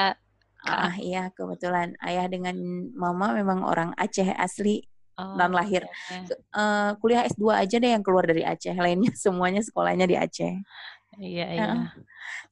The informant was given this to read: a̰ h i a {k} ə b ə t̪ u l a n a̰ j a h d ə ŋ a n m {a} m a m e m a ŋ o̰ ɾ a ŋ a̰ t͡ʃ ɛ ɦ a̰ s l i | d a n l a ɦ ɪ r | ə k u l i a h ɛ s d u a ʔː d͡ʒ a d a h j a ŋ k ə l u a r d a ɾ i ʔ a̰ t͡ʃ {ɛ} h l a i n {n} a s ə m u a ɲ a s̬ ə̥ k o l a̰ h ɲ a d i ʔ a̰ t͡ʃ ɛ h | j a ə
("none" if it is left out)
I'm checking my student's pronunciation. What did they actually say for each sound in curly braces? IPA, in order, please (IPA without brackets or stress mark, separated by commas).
k, a, ɛ, ɲ